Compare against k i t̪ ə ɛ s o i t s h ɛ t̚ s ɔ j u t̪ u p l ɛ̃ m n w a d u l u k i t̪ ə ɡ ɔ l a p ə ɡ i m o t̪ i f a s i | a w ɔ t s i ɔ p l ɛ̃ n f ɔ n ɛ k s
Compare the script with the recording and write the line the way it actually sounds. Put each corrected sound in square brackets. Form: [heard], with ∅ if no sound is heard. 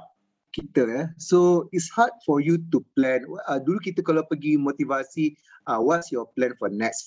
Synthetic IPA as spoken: k i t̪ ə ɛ s o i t s h [a] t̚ [f] ɔ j u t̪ u p l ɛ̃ [∅] n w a d u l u k i t̪ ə [k] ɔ l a p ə ɡ i m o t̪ i [v] a s i | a w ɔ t s [j] ɔ p l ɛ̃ n f ɔ n ɛ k s